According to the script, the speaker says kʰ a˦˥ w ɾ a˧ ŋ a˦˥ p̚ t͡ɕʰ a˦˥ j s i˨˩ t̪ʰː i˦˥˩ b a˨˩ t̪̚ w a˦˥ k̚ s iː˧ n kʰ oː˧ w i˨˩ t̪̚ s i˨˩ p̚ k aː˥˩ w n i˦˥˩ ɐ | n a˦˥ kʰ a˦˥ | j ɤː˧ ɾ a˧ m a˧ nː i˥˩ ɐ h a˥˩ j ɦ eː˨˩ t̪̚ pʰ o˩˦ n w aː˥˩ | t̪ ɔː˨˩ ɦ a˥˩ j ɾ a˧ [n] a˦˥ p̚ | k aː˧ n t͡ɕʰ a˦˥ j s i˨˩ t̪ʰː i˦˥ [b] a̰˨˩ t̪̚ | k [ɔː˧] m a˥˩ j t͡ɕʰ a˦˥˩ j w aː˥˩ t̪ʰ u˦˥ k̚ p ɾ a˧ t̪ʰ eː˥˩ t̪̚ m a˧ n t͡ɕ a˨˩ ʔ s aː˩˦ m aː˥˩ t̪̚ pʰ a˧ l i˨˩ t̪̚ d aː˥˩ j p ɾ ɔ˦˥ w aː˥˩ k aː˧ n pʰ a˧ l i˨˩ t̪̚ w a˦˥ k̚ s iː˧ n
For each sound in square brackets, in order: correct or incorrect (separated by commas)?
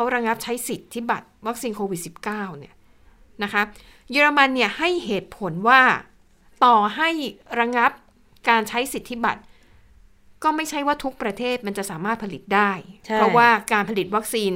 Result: incorrect, correct, incorrect